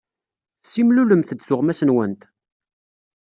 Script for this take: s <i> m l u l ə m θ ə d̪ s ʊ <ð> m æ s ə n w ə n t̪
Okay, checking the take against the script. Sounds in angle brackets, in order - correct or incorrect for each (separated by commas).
correct, incorrect